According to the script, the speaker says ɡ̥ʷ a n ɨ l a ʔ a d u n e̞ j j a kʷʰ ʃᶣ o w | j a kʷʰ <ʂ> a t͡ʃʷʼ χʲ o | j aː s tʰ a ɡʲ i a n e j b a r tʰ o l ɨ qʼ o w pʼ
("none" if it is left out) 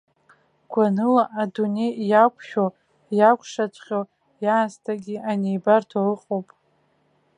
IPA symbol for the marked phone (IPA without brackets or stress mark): ʂ